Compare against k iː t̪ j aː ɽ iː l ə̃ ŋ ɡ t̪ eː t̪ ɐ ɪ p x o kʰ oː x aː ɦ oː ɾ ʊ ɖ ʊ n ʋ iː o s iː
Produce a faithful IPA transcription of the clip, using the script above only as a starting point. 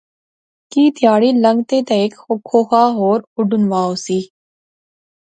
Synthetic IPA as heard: k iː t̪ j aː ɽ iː l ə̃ ŋ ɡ t̪ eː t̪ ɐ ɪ k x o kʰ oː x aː ɦ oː ɾ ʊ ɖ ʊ n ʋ aː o s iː